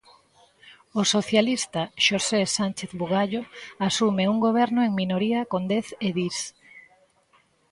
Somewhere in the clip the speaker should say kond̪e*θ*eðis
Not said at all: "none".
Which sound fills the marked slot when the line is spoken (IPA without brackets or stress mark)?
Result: θ